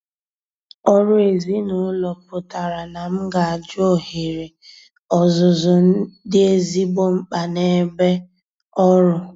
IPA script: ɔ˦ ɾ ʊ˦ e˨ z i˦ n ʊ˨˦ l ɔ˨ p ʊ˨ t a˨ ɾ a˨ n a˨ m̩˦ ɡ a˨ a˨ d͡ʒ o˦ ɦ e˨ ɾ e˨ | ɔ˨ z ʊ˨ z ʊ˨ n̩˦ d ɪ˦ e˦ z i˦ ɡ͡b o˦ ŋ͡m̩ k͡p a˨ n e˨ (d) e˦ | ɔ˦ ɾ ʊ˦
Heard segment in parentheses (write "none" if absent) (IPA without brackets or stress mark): b